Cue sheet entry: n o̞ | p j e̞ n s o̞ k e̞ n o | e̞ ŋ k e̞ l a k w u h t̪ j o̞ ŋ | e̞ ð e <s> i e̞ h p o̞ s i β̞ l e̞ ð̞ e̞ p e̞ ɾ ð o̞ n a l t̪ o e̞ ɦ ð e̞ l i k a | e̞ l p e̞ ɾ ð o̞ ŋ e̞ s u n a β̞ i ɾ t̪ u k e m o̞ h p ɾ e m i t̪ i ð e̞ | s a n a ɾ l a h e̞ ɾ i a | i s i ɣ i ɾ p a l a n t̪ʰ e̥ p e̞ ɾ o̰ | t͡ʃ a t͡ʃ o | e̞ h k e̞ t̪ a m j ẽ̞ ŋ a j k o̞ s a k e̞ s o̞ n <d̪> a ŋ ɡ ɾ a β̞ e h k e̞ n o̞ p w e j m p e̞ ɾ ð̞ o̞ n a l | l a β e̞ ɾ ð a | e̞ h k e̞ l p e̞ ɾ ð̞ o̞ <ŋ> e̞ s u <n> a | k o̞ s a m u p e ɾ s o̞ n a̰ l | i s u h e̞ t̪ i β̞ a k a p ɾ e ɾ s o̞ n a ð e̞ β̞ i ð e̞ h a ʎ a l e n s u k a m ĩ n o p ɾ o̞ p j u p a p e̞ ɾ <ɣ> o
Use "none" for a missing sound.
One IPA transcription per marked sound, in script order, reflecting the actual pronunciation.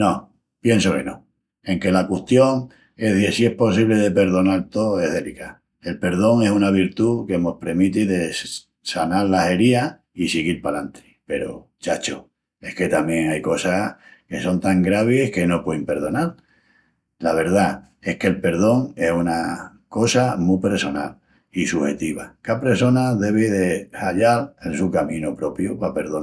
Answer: s, t̪, ŋ, n, ð

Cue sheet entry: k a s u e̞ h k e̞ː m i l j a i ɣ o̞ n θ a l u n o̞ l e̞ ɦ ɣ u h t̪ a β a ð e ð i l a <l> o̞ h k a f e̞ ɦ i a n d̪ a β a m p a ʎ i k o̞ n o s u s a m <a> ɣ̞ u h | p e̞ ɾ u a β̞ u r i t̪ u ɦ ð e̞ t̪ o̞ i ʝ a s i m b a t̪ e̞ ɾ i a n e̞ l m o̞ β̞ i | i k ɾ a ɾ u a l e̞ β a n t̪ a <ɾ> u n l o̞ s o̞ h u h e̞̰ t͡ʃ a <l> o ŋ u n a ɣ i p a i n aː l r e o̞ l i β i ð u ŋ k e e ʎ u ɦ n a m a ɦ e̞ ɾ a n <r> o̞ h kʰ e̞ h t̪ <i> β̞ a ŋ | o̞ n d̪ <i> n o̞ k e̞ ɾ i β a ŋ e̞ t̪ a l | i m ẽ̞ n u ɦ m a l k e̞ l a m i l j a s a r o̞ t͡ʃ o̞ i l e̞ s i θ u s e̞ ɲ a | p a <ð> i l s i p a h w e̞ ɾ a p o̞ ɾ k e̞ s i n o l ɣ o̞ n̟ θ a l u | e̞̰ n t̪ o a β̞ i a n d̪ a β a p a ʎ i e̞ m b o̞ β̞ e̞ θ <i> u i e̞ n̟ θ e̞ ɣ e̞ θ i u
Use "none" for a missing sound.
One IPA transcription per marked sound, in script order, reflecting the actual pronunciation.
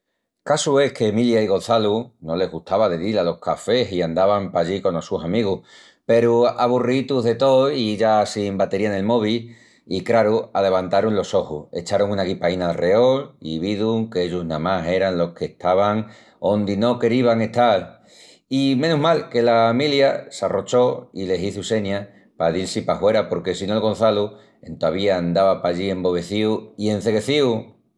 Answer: l, i, ɾ, ɾ, l, a, i, ð, i

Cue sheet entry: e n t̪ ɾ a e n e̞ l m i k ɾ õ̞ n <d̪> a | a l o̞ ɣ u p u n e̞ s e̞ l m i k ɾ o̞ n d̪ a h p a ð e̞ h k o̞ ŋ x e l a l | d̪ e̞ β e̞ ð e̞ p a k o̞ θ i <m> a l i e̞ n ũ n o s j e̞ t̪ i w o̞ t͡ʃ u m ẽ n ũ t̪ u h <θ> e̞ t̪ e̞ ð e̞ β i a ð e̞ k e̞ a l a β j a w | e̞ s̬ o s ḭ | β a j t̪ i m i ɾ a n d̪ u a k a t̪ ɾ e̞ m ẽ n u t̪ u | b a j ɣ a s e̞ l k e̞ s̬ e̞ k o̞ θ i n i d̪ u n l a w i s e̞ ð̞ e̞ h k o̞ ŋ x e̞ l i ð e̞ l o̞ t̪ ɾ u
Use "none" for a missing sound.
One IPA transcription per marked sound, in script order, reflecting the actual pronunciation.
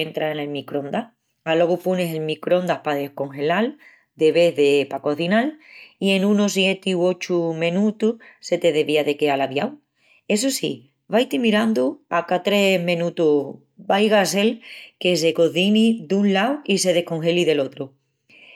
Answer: d̪, n, s

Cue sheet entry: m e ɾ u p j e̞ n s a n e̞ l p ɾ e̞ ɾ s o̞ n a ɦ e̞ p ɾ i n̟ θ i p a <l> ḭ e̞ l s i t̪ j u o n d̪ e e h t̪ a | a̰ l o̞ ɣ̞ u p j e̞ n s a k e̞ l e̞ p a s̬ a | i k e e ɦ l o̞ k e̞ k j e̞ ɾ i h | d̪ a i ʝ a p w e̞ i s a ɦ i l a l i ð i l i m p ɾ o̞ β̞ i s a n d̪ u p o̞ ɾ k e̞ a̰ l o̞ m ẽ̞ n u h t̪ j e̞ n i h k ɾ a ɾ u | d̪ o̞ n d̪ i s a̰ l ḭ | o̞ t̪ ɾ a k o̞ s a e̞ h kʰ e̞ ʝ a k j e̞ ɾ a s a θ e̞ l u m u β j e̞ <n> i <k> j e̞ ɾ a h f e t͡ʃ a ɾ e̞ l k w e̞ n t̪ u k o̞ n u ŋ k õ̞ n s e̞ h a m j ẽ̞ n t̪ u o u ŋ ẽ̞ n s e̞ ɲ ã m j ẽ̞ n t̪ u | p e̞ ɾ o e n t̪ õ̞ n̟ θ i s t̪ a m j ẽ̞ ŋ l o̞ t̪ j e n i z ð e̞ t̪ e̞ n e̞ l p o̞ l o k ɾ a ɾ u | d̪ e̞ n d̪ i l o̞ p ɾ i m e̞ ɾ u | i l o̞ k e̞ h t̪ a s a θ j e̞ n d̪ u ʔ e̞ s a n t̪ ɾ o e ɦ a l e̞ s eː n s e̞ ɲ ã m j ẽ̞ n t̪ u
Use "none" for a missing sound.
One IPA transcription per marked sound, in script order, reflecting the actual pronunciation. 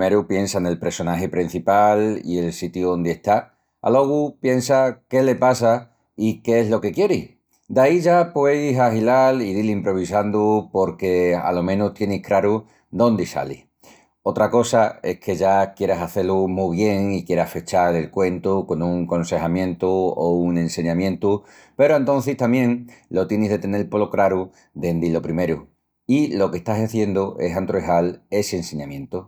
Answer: l, ŋ, k

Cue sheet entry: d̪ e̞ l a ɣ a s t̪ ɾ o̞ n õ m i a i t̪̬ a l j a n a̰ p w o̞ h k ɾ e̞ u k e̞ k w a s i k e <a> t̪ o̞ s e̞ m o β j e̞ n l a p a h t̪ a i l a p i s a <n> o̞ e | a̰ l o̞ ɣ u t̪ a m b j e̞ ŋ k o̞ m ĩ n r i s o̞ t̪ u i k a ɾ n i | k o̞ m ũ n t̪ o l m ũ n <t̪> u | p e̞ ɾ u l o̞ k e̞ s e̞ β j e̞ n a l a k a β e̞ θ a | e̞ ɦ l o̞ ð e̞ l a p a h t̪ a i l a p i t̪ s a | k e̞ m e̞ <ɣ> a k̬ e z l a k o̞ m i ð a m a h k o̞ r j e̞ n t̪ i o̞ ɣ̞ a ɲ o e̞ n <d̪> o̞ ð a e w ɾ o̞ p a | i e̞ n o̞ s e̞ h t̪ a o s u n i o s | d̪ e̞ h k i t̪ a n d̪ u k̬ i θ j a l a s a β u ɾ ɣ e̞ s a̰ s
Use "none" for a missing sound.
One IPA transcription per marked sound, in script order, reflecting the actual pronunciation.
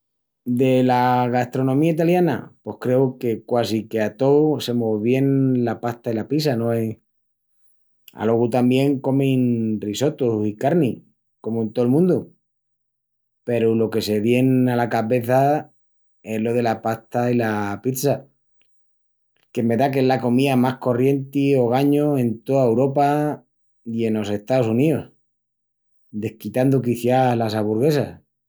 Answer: a, n, d̪, ð, t̪

